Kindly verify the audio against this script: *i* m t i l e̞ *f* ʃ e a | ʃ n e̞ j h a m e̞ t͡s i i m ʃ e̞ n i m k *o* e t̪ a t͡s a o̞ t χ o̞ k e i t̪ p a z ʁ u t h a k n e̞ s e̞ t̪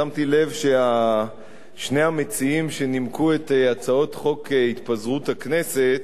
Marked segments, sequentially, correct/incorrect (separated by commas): incorrect, incorrect, incorrect